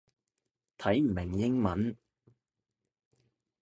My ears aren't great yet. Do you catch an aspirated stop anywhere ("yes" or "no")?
yes